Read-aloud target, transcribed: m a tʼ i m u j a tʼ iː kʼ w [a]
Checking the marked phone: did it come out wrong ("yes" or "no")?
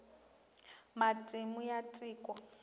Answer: no